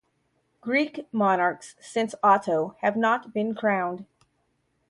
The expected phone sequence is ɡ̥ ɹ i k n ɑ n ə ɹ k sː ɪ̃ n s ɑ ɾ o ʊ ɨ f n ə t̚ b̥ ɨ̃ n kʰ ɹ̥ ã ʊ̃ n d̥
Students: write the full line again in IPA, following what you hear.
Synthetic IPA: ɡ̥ ɹ i k m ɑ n ɑ ɹ k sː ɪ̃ n s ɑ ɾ o ʊ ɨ v n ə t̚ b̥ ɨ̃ n kʰ ɹ̥ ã ʊ̃ n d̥